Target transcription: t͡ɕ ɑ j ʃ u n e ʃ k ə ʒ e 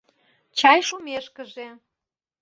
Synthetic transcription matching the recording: t͡ɕ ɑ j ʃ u m e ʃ k ə ʒ e

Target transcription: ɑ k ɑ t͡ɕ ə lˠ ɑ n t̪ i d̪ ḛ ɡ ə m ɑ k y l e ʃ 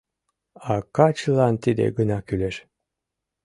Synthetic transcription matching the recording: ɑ k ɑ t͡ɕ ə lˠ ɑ n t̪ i d̪ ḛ ɡ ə n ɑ k y l e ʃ

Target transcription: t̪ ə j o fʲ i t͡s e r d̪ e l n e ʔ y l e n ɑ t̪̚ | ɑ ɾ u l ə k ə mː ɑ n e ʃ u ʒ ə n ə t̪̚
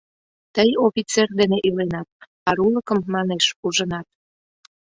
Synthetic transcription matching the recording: t̪ ə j o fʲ i t͡s e r d̪ e n e ʔ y l e n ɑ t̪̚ | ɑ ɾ u l ə k ə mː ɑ n e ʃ u ʒ ə n ɑ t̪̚

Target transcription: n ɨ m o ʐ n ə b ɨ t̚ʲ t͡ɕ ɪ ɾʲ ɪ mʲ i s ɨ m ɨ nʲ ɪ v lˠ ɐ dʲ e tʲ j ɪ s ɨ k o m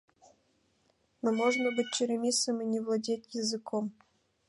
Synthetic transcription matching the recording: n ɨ m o ʐ n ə b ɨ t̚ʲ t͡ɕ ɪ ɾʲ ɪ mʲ i s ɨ m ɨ nʲ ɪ v lˠ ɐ dʲ e tʲ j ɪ z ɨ k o m

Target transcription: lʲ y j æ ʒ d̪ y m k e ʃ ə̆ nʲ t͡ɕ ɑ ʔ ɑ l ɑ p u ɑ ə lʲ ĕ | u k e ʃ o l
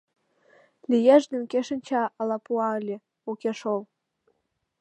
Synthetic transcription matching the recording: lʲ i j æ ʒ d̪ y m k e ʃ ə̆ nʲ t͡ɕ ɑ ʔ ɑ l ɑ p u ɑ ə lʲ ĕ | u k e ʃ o l

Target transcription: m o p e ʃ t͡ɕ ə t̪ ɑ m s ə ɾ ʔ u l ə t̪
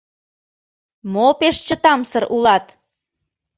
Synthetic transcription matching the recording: m o p e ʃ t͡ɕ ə t̪ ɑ m s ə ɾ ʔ u l ɑ t̪

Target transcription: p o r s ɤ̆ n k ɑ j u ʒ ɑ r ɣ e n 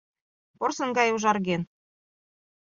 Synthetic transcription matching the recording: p o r s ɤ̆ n ɡ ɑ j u ʒ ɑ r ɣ e n

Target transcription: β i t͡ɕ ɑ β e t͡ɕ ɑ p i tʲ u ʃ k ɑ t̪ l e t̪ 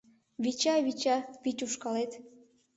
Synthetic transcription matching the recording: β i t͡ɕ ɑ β i t͡ɕ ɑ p i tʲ u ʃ k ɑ l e t̪

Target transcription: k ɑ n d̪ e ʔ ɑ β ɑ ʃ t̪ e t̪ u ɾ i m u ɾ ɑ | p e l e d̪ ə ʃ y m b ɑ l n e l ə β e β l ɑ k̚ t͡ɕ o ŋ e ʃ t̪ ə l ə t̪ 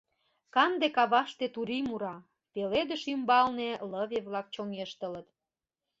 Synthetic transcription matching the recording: k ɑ n d̪ e k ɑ β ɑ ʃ t̪ e t̪ u ɾ i m u ɾ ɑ | p e l e d̪ ə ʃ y m b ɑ l n e l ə β e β l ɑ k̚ t͡ɕ o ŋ e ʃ t̪ ə l ə t̪

